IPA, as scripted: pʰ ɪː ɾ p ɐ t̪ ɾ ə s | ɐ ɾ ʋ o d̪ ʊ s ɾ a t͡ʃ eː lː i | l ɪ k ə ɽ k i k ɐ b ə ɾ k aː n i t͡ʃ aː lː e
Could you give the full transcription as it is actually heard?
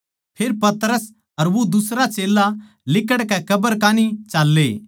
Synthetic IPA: pʰ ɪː ɾ p ɐ t̪ ɾ ə s | ɐ ɾ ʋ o d̪ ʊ s ɾ a t͡ʃ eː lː a | l ɪ k ə ɽ k ɛ k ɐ b ə ɾ k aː n i t͡ʃ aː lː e